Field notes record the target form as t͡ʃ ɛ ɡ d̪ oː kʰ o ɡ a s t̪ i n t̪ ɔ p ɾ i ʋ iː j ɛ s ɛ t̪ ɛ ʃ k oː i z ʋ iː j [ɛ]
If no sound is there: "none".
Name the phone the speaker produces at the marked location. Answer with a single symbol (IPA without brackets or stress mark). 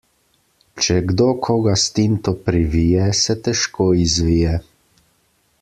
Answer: ɛ